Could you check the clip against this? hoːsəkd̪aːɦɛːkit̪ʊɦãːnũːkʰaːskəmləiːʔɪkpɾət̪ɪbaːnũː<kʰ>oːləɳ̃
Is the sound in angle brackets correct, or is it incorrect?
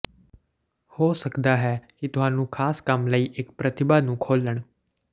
correct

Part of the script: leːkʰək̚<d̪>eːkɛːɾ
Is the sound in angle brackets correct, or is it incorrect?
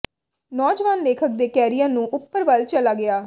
correct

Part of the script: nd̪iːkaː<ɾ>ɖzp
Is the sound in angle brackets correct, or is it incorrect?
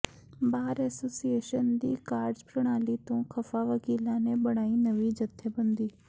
correct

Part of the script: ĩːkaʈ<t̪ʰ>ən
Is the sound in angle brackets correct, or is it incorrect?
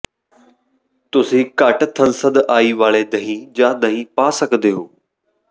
correct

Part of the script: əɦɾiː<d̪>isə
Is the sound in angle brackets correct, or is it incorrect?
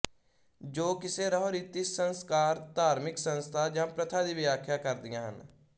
incorrect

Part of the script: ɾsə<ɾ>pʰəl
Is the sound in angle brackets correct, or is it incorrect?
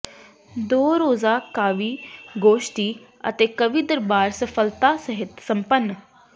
incorrect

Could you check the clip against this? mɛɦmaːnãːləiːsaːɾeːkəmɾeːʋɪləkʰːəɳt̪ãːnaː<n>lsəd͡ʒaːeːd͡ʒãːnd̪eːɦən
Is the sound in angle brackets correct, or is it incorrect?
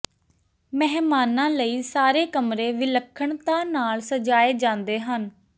incorrect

